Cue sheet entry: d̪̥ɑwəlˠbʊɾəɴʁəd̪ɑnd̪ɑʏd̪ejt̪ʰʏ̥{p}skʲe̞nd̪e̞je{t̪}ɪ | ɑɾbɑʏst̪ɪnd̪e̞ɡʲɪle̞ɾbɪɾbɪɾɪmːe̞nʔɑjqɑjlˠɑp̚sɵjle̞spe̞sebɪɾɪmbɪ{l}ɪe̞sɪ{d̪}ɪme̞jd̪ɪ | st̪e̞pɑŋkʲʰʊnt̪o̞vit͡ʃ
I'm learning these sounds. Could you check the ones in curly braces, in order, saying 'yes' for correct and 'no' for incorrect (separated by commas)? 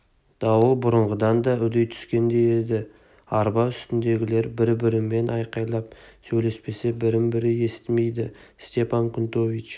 no, no, no, no